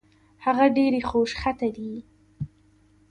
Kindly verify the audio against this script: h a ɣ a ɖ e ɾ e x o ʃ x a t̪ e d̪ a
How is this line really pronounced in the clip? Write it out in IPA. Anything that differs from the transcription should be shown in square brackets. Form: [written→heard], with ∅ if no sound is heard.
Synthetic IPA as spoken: h a ɣ a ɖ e ɾ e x o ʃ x a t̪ [e→a] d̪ [a→i]